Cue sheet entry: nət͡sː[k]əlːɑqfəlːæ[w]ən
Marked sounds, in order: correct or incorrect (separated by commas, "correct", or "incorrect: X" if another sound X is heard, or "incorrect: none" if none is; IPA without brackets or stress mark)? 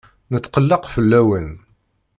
incorrect: q, correct